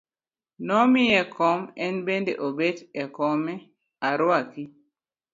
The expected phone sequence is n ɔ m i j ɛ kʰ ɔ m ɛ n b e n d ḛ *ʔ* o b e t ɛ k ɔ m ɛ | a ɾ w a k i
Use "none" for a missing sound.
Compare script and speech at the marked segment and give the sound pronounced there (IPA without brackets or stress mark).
ʔ